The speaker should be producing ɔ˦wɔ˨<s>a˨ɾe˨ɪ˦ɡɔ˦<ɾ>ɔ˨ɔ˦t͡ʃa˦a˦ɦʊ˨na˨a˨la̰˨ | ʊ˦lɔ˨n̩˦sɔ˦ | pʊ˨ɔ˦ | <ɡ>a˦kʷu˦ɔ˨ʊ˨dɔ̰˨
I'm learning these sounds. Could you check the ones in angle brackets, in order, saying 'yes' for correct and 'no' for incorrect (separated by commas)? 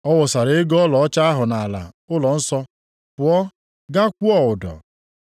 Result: yes, no, yes